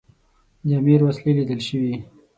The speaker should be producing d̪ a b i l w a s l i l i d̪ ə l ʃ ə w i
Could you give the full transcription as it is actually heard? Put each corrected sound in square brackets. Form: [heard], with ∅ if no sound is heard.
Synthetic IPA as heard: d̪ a [m] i [ɾ] w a s l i l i d̪ ə l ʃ ə w i